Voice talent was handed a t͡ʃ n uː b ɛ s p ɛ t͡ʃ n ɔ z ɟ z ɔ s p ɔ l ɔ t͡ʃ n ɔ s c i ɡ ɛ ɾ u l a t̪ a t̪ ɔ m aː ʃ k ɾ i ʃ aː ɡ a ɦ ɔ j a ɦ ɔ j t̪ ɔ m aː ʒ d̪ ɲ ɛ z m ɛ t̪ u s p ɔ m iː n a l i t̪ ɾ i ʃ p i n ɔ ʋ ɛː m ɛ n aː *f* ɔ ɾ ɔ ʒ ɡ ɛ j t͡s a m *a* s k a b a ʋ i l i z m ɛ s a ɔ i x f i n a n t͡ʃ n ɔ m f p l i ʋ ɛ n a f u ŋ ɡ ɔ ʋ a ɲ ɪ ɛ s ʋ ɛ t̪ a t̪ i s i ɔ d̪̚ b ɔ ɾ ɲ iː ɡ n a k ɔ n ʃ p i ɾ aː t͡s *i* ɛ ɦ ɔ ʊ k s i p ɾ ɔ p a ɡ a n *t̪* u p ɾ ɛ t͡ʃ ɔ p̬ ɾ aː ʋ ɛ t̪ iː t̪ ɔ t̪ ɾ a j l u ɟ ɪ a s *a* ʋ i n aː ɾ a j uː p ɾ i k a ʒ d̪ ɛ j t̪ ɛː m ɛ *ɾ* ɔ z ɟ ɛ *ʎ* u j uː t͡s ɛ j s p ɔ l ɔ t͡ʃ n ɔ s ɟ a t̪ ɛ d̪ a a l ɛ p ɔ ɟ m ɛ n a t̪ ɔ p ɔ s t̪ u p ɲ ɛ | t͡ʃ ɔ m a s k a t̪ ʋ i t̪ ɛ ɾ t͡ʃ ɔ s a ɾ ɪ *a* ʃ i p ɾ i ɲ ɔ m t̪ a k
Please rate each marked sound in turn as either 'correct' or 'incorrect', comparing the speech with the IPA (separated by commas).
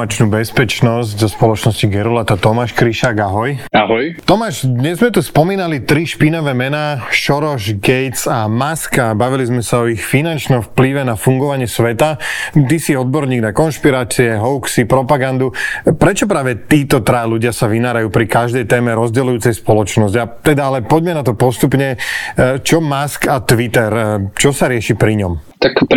incorrect, correct, correct, incorrect, correct, correct, incorrect, incorrect